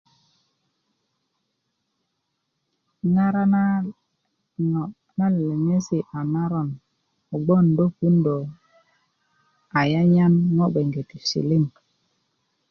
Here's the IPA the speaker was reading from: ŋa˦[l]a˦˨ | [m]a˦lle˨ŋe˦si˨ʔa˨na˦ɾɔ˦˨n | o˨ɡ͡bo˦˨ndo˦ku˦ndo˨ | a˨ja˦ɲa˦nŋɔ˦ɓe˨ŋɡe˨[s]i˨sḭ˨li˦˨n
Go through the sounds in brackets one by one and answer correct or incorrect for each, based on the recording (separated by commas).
incorrect, incorrect, incorrect